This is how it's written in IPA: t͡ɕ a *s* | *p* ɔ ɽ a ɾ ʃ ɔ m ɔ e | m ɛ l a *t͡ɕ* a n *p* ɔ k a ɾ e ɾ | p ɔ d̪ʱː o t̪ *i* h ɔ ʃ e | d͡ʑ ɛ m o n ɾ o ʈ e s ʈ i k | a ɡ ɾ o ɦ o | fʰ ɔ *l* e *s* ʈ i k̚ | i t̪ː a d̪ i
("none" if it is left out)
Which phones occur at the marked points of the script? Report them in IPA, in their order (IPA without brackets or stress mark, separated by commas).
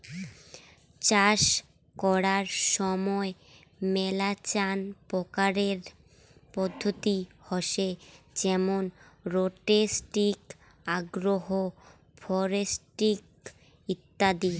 ʃ, k, t͡ɕ, p, i, ɾ, s